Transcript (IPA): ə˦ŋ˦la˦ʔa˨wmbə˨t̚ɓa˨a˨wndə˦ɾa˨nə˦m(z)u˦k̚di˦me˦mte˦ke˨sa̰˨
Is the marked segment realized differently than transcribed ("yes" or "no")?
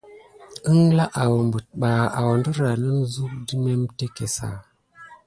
no